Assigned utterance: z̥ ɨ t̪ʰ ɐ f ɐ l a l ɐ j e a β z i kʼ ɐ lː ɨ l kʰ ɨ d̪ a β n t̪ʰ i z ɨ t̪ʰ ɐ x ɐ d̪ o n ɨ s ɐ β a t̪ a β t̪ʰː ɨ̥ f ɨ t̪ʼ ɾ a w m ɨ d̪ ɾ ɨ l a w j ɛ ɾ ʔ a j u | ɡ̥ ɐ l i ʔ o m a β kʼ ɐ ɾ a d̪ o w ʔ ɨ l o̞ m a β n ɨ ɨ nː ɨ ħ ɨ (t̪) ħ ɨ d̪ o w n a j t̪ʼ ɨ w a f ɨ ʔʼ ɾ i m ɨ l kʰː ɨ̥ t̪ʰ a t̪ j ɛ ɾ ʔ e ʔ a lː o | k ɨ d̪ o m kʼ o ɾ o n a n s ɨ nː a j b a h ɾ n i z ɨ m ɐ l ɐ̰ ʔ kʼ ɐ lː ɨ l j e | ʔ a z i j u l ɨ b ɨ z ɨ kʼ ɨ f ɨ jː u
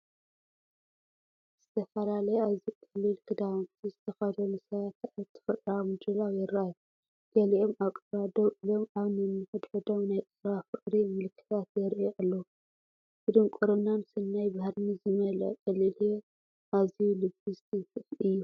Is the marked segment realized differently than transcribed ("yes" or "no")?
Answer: yes